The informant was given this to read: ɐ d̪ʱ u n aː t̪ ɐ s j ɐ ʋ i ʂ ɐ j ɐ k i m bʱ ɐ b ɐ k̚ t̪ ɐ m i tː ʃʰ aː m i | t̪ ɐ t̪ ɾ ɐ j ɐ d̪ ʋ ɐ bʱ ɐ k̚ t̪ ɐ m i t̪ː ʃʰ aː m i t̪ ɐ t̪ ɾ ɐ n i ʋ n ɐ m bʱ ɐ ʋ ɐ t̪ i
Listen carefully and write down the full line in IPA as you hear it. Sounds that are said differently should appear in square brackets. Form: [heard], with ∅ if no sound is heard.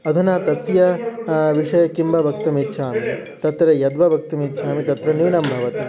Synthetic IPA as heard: ɐ d̪ʱ u n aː t̪ ɐ s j ɐ ʋ i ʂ ɐ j ɐ k i m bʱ ɐ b ɐ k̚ t̪ ɐ m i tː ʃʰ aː m i | t̪ ɐ t̪ ɾ ɐ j ɐ d̪ ʋ ɐ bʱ ɐ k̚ t̪ ɐ m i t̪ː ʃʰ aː m i t̪ ɐ t̪ ɾ ɐ n i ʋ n ɐ m bʱ ɐ ʋ ɐ t̪ i